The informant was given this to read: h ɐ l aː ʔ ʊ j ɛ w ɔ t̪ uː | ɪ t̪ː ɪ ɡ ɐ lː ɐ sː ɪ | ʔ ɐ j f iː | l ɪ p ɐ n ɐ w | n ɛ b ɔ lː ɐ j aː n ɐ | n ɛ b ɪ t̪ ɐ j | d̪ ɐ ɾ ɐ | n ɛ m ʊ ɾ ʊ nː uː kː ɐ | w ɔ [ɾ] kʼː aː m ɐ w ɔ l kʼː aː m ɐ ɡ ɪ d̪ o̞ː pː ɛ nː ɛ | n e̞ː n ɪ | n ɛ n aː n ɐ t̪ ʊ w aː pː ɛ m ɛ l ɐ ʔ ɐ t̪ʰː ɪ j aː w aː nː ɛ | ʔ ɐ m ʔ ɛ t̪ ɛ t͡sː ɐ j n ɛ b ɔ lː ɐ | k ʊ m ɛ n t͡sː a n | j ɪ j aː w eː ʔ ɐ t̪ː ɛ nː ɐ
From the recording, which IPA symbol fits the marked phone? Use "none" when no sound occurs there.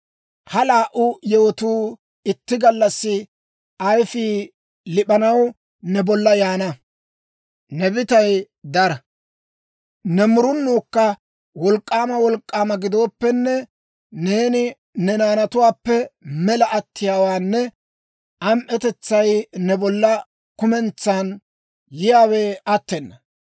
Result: l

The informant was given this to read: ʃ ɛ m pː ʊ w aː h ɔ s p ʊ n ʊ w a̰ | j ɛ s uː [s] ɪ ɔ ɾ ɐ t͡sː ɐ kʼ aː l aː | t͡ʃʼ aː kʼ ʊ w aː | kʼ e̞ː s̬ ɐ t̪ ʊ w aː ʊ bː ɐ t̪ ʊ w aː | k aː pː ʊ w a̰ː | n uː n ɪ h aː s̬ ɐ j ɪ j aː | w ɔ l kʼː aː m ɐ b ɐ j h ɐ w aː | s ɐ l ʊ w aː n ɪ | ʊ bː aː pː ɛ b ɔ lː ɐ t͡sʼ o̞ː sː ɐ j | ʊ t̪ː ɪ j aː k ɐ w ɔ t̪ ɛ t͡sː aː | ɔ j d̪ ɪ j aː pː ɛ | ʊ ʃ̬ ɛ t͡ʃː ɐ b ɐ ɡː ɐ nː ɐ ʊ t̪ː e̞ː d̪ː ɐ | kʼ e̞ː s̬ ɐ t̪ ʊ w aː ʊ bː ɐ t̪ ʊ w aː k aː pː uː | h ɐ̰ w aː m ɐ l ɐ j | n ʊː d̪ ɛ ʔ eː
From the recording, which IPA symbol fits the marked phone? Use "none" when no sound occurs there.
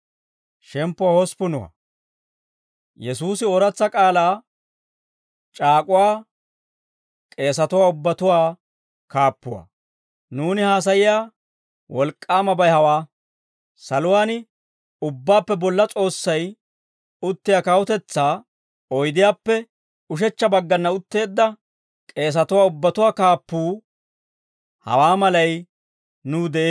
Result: s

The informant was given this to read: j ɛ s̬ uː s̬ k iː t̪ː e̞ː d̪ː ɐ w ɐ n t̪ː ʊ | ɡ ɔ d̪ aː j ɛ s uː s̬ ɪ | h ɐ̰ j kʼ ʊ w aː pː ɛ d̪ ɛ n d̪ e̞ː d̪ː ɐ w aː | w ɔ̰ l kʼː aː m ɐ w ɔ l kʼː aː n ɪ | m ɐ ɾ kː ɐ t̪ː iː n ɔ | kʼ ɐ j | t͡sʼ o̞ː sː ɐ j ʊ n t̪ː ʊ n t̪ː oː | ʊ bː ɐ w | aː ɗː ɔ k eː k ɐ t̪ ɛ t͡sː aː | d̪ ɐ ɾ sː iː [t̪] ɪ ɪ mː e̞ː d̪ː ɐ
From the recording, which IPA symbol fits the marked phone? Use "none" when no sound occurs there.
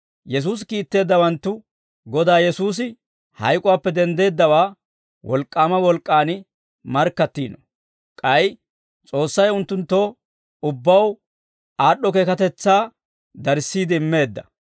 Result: d̪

